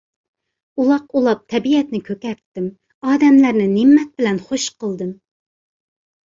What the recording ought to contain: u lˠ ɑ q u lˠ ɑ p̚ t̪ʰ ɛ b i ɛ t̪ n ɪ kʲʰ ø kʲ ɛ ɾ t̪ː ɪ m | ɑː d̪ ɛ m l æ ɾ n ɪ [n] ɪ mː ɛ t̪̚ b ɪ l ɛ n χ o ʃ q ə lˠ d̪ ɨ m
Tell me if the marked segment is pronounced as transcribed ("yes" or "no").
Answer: yes